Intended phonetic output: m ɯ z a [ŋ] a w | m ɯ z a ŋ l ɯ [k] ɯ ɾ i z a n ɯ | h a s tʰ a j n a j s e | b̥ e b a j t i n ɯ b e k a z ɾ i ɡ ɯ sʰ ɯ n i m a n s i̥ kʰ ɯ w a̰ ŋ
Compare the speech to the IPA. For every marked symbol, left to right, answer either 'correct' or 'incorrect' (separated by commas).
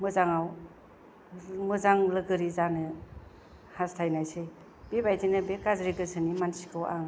correct, incorrect